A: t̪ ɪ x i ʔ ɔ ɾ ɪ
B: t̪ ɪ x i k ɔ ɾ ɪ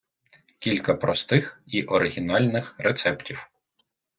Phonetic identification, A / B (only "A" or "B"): A